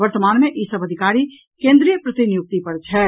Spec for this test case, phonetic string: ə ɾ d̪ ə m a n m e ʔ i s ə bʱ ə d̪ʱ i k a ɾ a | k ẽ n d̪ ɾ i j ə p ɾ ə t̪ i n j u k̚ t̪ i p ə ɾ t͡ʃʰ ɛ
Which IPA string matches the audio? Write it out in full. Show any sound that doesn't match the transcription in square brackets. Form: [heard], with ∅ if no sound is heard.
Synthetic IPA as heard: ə ɾ [t̪] ə m a n m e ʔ i s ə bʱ ə d̪ʱ i k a ɾ [i] | k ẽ n d̪ ɾ i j ə p ɾ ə t̪ i n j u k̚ t̪ i p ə ɾ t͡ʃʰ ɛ